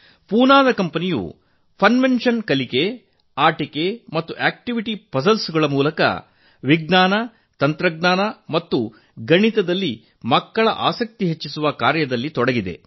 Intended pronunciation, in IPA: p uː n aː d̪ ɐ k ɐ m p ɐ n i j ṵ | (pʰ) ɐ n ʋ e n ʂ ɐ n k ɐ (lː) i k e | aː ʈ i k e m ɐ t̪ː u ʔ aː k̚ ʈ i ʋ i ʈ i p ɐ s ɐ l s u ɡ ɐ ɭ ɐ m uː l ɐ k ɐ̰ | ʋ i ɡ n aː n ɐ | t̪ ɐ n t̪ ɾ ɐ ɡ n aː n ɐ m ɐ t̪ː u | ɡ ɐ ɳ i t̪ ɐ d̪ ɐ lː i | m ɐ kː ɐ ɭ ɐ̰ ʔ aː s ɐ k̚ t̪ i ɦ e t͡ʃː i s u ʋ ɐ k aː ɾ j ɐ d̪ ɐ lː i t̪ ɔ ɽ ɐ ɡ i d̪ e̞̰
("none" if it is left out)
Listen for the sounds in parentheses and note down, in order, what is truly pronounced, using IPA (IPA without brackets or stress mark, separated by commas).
pʰ, l